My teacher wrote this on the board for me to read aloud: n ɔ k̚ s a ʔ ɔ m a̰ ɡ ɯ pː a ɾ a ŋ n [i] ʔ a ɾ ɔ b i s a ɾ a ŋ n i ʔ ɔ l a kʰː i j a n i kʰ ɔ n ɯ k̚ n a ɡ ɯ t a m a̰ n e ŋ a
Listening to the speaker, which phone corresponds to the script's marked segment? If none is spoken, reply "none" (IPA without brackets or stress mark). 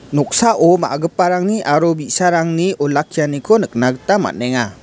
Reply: i